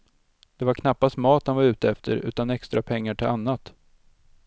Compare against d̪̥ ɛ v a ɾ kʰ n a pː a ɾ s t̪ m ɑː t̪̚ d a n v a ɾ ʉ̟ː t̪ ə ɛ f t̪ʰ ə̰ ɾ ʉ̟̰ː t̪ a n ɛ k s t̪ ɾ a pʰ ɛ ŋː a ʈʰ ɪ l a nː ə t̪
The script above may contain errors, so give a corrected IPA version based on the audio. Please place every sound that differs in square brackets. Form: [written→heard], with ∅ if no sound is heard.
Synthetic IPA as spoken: d̪̥ ɛ v a ɾ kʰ n a pː a [ɾ→∅] s t̪ m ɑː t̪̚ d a n v a ɾ ʉ̟ː t̪ ə ɛ f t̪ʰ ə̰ ɾ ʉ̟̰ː t̪ a n ɛ k s t̪ ɾ a pʰ ɛ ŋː a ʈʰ ɪ l a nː [ə→a] t̪